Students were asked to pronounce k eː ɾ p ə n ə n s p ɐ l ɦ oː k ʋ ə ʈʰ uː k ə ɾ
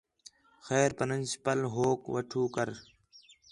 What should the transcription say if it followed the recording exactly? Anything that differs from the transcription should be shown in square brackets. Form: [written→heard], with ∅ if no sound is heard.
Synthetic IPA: [k→x] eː ɾ p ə n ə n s p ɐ l ɦ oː k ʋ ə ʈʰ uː k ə ɾ